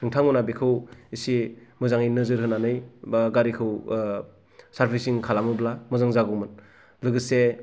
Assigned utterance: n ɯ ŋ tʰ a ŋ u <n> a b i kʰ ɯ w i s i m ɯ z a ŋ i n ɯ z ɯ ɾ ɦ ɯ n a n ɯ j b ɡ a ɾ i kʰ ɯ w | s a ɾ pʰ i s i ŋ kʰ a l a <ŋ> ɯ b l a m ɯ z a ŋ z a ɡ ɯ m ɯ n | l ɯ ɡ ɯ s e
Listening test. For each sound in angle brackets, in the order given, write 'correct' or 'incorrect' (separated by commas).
correct, incorrect